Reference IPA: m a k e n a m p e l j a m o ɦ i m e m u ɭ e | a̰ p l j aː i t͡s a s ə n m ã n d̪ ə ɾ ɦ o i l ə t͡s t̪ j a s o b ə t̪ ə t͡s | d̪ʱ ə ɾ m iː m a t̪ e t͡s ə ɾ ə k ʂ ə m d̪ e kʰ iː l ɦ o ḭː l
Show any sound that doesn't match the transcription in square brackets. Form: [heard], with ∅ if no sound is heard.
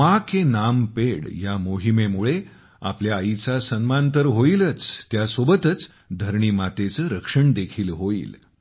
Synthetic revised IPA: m a k e n a m p e [ɽ] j a m o ɦ i m e m u ɭ e | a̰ p l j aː i t͡s a s ə n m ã n [t̪] ə ɾ ɦ o i l ə t͡s t̪ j a s o b ə t̪ ə t͡s | d̪ʱ ə ɾ [ɳ] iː m a t̪ e t͡s ə ɾ ə k ʂ ə [ɳ] d̪ e kʰ iː l ɦ o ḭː l